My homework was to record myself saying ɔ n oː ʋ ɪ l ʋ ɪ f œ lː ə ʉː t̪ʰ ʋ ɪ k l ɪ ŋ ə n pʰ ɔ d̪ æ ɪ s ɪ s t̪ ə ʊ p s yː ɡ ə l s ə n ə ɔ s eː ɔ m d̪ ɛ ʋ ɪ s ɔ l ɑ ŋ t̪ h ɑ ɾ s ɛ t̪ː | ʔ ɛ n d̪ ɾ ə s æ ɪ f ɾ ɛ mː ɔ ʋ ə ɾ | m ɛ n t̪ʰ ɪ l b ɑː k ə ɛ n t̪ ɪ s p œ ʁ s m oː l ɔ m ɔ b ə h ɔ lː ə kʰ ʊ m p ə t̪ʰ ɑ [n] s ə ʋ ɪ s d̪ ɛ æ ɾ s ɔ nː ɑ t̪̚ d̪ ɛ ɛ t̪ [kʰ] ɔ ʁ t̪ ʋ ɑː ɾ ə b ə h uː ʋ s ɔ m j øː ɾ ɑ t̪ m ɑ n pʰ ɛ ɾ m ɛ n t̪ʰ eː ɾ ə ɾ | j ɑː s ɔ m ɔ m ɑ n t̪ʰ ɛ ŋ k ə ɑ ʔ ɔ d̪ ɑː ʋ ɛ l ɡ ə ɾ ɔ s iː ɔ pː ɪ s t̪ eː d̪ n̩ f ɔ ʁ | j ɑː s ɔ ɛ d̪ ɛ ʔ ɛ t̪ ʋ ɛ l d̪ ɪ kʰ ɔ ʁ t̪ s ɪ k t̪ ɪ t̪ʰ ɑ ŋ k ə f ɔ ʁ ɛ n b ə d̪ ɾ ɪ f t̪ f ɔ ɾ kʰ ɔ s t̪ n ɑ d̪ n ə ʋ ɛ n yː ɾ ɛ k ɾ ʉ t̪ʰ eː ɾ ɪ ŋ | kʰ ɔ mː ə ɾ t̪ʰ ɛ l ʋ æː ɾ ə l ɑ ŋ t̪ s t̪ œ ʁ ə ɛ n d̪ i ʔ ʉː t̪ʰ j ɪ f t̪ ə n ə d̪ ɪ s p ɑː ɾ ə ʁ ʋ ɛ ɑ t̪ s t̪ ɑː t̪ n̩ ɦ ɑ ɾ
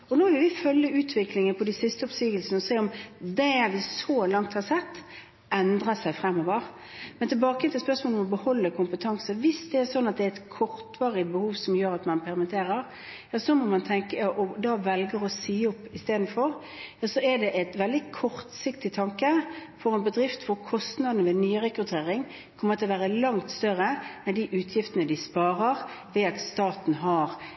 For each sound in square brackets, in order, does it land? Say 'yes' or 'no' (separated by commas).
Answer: no, yes